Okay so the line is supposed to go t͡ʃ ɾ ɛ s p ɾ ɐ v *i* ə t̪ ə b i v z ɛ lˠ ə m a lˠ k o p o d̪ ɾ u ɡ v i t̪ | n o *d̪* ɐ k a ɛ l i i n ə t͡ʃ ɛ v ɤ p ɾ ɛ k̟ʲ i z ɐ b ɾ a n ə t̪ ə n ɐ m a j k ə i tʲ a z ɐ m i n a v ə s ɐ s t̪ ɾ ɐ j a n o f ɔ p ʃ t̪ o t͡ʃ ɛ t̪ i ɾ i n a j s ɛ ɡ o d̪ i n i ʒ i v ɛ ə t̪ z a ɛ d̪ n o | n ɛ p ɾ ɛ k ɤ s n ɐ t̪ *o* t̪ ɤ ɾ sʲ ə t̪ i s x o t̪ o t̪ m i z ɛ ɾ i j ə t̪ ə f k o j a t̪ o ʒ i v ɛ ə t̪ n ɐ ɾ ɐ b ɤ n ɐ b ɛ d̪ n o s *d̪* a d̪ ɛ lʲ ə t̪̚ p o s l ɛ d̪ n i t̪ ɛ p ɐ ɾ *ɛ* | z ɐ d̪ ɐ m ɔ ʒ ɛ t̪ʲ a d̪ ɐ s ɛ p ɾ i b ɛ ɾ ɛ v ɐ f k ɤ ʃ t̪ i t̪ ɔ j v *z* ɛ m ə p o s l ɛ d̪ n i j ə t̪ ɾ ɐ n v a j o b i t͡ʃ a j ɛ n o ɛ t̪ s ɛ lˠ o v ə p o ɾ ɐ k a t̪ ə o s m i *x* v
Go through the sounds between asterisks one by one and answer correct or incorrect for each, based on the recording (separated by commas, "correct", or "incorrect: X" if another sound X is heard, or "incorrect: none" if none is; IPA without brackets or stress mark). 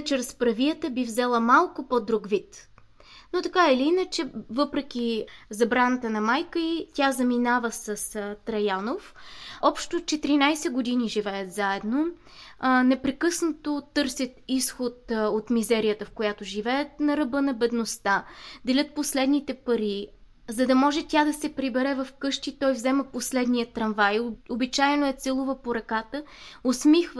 correct, incorrect: t̪, correct, incorrect: t̪, incorrect: i, correct, correct